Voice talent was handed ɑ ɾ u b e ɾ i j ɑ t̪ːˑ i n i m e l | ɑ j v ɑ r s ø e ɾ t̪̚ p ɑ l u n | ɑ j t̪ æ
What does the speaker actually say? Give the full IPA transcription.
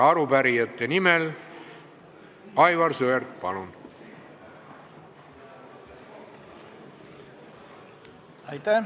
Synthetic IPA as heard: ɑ ɾ u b æ ɾ i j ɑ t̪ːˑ e n i m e l | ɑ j v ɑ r s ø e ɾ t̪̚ p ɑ l u n | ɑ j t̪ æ